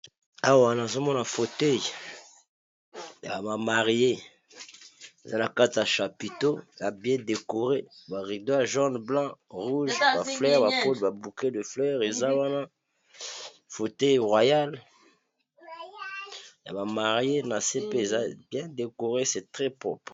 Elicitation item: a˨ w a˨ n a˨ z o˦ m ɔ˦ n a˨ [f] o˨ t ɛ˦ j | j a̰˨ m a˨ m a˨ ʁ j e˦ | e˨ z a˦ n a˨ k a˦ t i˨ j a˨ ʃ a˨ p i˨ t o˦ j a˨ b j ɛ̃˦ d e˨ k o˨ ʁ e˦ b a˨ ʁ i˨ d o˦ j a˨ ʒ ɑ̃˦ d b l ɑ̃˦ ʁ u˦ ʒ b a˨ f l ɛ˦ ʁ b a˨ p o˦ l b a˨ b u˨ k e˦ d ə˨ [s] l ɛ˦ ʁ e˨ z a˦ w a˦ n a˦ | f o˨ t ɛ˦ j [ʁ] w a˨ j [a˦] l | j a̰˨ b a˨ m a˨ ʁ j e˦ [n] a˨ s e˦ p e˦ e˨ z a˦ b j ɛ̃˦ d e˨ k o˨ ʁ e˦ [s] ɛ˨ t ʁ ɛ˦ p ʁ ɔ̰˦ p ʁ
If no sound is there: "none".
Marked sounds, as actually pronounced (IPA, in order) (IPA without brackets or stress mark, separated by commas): f, f, ʁ, a˦, n, s